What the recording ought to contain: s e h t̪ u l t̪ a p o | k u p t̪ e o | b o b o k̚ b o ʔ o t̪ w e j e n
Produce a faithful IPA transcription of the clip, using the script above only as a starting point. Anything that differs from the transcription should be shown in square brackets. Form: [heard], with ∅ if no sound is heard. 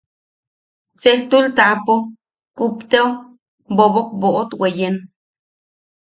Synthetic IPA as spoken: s e h t̪ u l t̪ a p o | k u p t̪ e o | b o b o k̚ b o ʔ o t̪ w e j e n